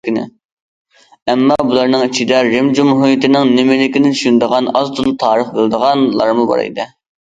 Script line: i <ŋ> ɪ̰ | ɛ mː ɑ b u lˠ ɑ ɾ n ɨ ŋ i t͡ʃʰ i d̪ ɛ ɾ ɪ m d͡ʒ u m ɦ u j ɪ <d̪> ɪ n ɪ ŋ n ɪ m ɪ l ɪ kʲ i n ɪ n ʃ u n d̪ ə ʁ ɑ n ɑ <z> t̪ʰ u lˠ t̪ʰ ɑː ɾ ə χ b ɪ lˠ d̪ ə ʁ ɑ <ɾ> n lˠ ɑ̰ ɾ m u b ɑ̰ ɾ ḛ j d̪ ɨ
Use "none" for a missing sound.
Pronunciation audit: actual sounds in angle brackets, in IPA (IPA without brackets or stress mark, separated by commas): n, t̪, z, none